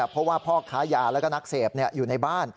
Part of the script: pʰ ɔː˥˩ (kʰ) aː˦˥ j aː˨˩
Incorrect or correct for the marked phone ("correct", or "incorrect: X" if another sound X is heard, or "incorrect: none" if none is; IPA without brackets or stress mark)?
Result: correct